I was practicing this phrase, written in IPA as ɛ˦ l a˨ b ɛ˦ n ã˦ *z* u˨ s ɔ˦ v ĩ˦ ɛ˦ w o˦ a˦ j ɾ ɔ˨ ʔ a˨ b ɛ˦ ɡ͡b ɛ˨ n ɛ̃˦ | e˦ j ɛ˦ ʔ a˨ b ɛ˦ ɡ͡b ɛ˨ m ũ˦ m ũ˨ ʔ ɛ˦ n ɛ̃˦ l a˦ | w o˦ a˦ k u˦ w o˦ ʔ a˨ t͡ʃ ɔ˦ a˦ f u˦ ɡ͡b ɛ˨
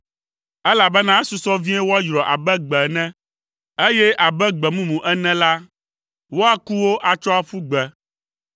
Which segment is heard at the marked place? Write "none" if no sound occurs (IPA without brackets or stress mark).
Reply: s